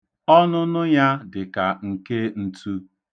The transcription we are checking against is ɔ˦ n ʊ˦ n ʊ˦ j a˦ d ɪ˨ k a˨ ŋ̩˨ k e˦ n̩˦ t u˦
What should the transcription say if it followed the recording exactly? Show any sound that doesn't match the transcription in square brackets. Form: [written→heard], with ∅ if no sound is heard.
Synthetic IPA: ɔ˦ n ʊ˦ n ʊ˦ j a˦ d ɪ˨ k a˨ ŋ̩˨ k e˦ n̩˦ t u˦